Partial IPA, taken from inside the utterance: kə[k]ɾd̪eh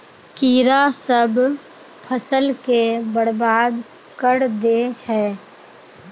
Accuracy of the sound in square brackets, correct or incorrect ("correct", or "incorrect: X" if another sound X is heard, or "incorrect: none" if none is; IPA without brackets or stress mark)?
incorrect: none